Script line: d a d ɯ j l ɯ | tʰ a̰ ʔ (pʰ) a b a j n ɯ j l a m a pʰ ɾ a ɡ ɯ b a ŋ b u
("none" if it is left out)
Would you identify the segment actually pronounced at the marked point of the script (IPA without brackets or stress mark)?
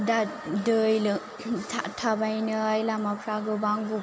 tʰ